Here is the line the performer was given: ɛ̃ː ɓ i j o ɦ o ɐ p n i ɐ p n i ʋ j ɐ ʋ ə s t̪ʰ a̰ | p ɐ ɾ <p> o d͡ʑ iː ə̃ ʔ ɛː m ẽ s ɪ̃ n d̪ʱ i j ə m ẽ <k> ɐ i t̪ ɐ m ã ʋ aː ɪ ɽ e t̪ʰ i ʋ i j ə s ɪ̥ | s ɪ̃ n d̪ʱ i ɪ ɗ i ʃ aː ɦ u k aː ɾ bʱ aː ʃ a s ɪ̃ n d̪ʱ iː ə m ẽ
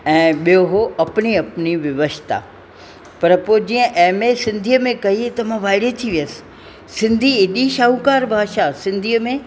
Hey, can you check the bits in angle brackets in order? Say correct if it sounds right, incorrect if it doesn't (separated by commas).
correct, correct